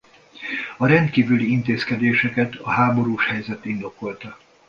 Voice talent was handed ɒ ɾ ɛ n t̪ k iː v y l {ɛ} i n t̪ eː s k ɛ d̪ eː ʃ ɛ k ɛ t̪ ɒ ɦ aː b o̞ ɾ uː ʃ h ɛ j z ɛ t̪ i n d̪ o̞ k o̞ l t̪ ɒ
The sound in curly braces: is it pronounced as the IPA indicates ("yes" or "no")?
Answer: no